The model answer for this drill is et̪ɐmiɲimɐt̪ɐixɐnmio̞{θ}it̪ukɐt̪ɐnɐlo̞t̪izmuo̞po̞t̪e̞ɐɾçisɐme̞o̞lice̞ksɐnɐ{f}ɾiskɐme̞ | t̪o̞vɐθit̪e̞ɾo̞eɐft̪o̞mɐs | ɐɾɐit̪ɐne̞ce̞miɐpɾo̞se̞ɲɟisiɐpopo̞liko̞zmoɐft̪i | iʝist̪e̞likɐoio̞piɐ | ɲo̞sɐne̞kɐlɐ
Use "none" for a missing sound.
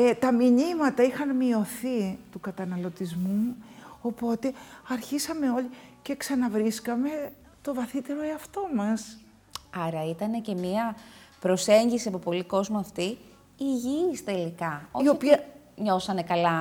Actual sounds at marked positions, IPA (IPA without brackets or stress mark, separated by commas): θ, v